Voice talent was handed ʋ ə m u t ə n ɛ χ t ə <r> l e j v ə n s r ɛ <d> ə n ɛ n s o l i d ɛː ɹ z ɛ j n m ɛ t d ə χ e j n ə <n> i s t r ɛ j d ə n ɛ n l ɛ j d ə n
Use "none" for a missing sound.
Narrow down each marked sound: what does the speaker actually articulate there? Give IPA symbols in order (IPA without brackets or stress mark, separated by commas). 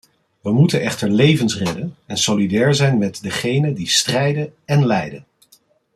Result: ɹ, d, d